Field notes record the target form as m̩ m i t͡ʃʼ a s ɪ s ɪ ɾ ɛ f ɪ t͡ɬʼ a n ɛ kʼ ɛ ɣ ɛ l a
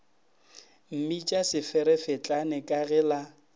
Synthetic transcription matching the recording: m̩ m i t͡ʃʼ a s ɪ f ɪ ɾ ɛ f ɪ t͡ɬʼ a n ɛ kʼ a ɣ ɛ l a